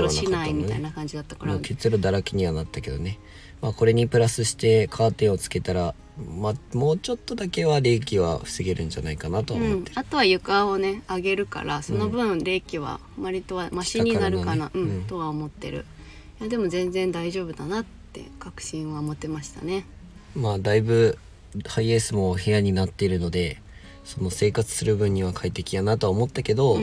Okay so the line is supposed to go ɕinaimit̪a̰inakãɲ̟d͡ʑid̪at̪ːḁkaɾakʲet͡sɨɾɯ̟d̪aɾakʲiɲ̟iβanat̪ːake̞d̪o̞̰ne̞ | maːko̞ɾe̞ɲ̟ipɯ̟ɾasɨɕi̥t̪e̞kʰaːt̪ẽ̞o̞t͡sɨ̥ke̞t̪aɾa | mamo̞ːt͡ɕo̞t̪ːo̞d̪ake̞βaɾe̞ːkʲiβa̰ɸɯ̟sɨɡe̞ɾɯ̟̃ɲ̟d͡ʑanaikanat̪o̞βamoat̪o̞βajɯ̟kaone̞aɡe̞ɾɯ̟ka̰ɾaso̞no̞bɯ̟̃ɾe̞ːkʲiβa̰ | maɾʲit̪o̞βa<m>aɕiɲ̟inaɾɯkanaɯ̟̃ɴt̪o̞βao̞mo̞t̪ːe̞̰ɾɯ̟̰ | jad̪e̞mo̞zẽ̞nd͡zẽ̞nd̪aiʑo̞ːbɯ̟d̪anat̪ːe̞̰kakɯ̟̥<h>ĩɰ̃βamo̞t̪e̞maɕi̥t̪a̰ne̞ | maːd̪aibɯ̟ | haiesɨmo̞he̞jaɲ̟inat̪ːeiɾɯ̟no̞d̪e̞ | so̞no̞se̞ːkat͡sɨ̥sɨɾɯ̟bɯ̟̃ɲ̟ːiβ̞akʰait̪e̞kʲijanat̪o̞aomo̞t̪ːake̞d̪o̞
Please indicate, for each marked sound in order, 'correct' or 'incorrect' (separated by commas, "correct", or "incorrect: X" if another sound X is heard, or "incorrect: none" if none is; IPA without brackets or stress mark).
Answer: correct, incorrect: ɕ